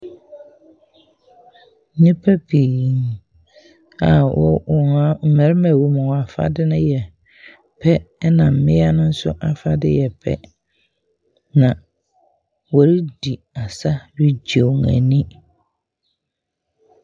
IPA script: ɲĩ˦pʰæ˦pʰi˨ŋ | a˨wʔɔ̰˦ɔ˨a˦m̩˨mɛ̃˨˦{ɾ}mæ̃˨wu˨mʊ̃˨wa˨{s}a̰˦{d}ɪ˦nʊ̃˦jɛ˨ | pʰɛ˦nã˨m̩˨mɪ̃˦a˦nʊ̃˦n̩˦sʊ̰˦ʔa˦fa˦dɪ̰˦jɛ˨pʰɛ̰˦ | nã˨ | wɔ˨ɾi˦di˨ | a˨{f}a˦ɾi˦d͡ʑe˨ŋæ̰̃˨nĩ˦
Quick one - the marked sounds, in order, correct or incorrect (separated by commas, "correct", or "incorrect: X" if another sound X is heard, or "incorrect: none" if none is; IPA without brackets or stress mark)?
correct, incorrect: f, correct, incorrect: s